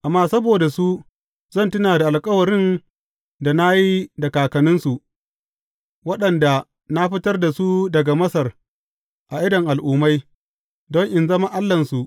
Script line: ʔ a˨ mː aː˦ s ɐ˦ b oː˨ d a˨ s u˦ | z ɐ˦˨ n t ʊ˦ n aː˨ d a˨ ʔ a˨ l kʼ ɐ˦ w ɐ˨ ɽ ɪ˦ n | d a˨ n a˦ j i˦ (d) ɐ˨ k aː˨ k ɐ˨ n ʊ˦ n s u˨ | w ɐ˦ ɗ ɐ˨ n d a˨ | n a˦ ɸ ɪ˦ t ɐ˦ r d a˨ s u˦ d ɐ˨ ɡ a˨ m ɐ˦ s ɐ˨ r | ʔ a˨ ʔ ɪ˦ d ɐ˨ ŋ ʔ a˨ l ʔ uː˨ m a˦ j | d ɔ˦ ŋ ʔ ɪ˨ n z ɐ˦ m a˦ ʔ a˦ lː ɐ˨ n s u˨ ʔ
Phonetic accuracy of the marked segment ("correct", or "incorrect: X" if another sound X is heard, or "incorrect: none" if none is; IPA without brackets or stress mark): correct